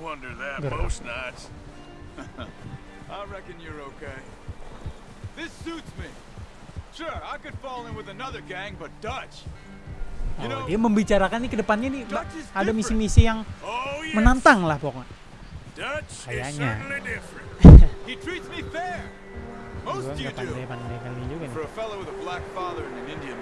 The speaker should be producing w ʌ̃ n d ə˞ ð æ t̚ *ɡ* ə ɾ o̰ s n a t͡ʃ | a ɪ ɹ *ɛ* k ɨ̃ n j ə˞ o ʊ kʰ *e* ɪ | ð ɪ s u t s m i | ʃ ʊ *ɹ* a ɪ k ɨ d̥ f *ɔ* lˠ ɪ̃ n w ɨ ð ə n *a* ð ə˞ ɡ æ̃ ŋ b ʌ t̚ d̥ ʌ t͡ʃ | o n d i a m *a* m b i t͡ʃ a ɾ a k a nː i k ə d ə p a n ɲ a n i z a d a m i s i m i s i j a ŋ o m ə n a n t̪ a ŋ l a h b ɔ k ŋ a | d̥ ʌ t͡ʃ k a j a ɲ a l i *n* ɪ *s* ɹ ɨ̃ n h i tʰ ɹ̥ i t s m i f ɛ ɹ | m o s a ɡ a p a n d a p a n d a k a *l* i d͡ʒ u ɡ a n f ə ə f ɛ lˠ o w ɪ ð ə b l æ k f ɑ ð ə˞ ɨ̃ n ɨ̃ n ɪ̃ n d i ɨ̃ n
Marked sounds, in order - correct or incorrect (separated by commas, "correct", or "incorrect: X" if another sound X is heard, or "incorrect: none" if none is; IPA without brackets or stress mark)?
correct, correct, correct, correct, correct, incorrect: ʌ, incorrect: ə, incorrect: d, incorrect: f, correct